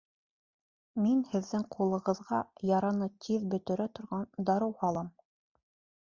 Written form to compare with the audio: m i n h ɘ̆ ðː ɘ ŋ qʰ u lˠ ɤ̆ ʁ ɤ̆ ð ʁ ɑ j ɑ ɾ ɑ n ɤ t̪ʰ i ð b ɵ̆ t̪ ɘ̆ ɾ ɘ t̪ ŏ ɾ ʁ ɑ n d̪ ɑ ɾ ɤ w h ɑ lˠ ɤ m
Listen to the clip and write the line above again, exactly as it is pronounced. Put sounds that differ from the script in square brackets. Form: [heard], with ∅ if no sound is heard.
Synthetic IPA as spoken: m i n h ɘ̆ ðː ɘ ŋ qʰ u lˠ ɤ̆ ʁ ɤ̆ ð ʁ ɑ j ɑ ɾ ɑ n ɤ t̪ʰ i ð b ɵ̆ t̪ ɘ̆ ɾ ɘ t̪ ŏ ɾ ʁ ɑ n d̪ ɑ ɾ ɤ w h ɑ lˠ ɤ m